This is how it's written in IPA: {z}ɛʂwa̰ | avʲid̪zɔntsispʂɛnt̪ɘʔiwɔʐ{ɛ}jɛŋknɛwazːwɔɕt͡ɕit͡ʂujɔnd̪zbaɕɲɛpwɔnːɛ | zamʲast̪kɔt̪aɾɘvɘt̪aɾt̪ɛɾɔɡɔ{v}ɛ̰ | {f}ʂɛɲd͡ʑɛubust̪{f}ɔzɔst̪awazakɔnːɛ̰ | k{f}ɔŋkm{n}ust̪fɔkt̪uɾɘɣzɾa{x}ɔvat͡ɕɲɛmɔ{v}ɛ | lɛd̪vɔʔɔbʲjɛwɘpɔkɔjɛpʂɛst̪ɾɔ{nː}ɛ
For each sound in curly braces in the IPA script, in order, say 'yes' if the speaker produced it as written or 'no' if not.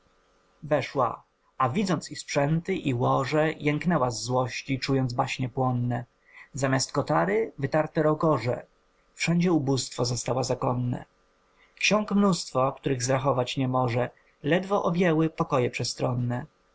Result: no, yes, no, yes, yes, no, yes, yes, no, yes

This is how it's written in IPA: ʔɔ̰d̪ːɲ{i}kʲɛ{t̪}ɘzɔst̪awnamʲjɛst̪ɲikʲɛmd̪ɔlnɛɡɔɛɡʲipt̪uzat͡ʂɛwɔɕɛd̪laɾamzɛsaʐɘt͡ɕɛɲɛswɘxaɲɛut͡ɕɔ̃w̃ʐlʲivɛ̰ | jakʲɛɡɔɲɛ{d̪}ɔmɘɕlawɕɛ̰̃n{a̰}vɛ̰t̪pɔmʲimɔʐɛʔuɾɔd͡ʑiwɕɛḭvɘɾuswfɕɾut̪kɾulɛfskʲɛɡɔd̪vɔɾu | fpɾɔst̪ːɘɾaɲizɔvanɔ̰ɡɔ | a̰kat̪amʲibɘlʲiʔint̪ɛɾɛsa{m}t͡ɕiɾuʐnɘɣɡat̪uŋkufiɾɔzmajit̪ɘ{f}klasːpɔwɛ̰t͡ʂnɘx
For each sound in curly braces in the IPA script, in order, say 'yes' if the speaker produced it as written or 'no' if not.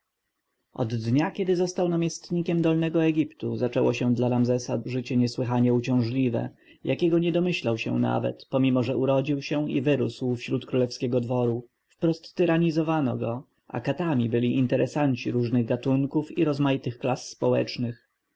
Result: no, no, yes, yes, no, no

